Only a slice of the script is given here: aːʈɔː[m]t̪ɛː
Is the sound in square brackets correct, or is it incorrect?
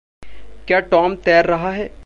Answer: correct